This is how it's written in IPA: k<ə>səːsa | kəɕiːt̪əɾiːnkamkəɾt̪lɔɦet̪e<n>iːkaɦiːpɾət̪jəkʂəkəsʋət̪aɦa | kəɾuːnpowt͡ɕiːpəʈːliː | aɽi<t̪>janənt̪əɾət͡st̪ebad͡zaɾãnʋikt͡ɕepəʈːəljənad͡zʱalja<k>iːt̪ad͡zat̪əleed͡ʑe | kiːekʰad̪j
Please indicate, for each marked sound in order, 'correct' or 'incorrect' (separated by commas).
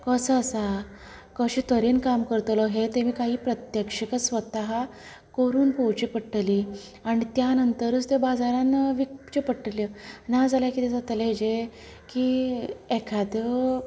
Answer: correct, incorrect, correct, correct